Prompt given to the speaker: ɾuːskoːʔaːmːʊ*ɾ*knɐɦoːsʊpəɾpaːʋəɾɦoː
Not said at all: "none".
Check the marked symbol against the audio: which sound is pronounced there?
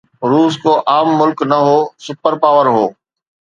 l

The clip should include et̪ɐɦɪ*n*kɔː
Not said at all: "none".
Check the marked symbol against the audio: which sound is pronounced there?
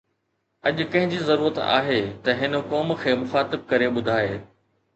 n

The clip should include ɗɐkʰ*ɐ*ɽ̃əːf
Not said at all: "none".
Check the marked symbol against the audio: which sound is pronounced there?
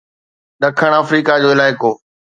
ə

